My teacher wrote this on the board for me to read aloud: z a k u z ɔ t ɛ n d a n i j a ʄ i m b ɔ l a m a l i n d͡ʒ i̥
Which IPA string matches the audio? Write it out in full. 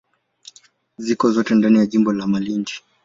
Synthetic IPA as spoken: z i k ɔ z ɔ t ɛ n d a n i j a ʄ i m b ɔ l a m a l i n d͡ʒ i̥